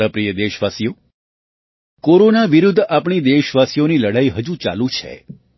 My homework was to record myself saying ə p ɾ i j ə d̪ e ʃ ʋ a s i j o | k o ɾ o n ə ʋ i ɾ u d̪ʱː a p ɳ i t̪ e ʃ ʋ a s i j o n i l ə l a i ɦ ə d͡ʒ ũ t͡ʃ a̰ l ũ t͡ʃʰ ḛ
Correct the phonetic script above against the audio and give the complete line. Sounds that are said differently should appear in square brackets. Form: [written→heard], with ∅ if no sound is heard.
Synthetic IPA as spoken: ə p ɾ i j ə d̪ e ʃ ʋ a s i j o | k o ɾ o n [ə→a] ʋ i ɾ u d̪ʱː a p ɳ i [t̪→d̪] e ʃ ʋ a s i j o n i l ə [l→ɽ] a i ɦ ə d͡ʒ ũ t͡ʃ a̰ l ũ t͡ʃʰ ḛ